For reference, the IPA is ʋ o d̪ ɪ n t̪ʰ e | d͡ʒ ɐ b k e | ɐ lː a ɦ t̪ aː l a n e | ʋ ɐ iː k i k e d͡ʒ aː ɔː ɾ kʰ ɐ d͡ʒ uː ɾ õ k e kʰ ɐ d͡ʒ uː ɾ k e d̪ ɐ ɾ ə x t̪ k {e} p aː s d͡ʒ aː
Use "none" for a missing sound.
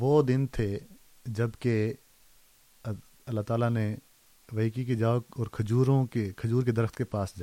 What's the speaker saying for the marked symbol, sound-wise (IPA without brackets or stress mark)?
e